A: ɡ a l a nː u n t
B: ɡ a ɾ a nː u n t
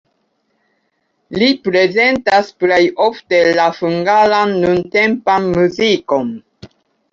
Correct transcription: A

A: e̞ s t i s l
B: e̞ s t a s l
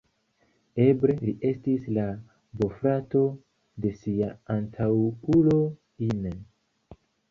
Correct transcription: A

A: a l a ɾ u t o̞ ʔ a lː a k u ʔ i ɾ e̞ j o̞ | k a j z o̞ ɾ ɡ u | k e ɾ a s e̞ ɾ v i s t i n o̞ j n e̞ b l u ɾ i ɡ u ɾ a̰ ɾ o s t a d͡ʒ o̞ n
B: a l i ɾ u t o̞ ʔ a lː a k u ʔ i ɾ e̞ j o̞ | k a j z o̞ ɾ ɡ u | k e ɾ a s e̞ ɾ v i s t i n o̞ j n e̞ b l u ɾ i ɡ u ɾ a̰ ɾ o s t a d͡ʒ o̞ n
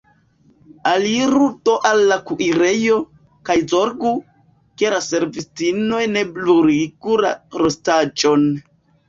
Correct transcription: B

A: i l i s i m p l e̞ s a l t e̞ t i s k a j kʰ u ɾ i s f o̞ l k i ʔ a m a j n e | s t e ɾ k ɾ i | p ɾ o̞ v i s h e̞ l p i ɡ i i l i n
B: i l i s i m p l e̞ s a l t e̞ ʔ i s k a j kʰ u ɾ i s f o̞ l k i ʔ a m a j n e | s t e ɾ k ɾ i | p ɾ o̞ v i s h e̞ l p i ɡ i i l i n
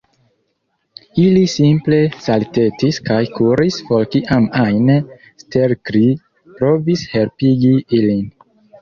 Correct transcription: A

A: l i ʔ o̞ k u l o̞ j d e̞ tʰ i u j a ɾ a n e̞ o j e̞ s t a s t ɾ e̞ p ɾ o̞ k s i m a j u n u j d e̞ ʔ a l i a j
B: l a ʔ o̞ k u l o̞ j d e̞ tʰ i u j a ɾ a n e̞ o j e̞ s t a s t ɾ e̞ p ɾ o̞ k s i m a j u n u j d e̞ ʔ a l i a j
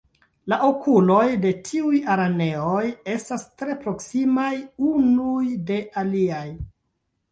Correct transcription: B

